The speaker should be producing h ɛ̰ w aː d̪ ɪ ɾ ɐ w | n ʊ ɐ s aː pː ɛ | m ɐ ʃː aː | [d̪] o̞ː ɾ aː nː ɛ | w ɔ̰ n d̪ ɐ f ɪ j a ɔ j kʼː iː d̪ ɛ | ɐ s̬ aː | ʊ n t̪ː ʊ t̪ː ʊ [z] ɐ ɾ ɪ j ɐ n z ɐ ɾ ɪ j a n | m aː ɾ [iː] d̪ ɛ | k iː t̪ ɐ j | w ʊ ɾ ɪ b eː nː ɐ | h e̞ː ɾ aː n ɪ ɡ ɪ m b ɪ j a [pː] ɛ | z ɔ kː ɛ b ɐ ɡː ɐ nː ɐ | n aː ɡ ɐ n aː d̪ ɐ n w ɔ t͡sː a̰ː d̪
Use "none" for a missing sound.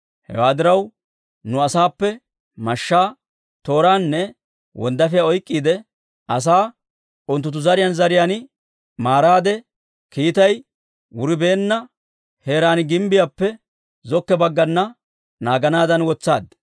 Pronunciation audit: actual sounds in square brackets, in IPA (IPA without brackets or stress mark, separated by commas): t̪, z, aː, pː